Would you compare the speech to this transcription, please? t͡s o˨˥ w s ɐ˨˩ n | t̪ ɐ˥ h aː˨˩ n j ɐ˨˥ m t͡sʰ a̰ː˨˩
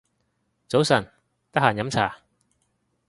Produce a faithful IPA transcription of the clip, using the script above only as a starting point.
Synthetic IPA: t͡s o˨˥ w s ɐ˨˩ n | t̪ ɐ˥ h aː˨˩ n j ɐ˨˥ m t͡sʰ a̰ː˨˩

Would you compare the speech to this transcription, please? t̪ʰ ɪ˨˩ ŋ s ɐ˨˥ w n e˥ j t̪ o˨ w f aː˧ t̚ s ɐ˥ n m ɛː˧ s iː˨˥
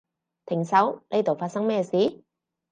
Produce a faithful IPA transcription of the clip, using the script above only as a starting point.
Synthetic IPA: t̪ʰ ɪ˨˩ ŋ s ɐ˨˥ w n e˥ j t̪ o˨ w f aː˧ t̚ s ɐ˥ ŋ m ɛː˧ s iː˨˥

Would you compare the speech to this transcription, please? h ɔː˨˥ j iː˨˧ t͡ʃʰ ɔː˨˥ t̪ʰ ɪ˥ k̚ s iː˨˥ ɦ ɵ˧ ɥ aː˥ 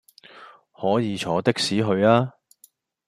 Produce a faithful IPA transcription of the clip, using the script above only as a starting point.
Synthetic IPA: h ɔː˨˥ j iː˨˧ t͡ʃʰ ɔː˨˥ t̪ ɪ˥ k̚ s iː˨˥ ɦ ɵ˧ ɥ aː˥

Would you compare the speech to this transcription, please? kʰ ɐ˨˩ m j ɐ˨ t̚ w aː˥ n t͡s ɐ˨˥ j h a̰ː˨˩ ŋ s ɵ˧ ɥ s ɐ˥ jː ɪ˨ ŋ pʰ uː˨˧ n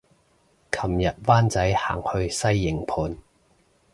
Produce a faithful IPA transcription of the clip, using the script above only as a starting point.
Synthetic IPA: kʰ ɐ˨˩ m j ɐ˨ t̚ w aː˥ n t͡s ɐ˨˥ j h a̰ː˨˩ ŋ h ɵ˧ ɥ s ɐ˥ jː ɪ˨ ŋ pʰ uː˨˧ n

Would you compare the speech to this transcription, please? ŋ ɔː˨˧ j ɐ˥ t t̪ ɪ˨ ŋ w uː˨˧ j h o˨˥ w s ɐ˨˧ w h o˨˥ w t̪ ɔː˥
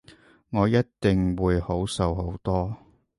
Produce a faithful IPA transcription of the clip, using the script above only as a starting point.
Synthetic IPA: ŋ ɔː˨˧ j ɐ˥ t t̪ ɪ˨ ŋ w uː˨˧ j h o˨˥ w s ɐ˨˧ w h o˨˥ w t̪ ɔː˥

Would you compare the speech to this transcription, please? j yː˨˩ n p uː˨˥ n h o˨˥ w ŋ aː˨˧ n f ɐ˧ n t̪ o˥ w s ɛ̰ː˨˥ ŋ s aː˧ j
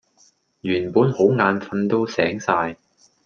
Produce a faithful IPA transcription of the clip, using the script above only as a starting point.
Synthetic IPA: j yː˨˩ n p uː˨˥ n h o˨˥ w ŋ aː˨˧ n f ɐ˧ n t̪ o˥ w s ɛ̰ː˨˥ ŋ s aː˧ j

